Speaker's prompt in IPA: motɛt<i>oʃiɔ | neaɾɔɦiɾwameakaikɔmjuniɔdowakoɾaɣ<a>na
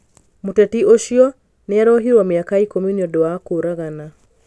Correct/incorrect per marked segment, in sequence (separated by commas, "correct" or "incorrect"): correct, correct